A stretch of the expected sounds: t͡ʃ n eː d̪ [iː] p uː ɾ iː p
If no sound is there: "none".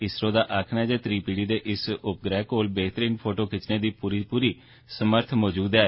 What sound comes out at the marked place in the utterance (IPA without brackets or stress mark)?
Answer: iː